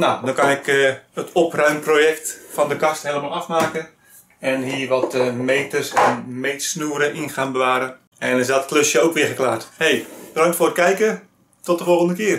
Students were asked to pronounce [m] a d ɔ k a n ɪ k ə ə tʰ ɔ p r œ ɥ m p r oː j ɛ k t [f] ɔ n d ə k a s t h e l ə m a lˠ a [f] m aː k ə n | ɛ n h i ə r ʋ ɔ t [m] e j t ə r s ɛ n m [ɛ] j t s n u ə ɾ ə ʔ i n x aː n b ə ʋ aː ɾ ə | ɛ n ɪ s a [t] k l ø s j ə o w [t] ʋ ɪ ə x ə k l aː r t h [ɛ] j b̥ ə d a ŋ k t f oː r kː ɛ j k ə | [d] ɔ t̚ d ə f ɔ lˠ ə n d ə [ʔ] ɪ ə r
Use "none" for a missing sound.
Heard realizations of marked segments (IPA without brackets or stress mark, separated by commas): n, f, f, m, e, t, k, e, t, k